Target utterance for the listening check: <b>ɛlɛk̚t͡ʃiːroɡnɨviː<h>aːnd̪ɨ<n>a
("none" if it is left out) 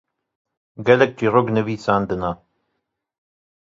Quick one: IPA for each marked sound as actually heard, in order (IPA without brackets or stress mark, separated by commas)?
ɡ, s, n